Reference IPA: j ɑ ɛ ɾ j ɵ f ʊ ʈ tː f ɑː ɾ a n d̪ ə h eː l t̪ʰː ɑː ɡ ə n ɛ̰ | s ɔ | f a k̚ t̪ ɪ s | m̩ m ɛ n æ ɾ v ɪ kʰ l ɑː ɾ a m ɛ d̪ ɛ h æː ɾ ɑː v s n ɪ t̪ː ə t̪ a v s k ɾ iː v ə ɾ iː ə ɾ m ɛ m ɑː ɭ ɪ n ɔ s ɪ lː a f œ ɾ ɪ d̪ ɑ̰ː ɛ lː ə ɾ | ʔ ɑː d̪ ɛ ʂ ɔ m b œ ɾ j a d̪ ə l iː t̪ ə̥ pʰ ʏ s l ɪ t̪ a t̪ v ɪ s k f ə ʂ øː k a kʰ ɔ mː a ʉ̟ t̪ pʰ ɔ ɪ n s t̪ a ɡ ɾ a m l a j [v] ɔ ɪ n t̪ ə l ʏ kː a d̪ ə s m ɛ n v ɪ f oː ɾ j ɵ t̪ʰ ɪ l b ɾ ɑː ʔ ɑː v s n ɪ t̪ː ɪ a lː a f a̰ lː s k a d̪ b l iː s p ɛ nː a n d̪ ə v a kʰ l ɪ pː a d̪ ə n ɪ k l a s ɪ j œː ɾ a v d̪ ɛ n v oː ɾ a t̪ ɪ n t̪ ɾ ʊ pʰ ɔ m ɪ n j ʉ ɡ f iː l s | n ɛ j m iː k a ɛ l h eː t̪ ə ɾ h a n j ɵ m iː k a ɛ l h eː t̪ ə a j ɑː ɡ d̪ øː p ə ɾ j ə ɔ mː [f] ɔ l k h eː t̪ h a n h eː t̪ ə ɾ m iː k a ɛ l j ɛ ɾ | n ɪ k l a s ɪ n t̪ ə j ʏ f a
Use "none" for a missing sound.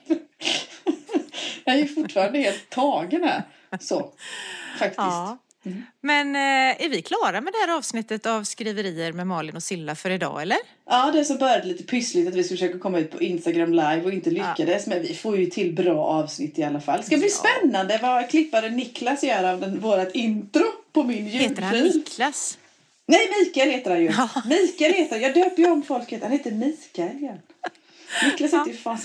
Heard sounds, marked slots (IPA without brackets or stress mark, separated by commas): v, f